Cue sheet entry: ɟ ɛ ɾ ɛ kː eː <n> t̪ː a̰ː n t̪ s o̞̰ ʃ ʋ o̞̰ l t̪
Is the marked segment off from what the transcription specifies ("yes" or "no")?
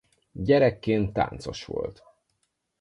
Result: no